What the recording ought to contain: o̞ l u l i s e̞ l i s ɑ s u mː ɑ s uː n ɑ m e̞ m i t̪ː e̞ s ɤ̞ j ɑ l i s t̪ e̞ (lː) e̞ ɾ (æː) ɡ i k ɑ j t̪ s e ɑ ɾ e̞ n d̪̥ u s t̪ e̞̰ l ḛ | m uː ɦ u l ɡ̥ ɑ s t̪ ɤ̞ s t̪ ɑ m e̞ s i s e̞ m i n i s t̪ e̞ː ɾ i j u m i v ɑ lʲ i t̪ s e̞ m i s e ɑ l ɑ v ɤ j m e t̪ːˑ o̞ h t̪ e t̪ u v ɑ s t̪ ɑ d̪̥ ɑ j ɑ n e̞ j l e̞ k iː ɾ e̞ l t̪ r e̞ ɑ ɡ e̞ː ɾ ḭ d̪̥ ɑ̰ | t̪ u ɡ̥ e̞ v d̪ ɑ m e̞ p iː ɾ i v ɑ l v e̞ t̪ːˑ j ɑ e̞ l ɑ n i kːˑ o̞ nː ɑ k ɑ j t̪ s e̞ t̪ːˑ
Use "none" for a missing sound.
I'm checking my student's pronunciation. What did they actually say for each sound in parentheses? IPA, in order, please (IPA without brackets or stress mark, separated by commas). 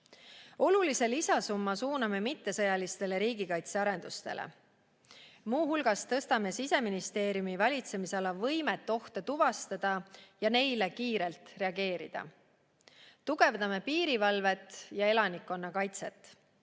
l, iː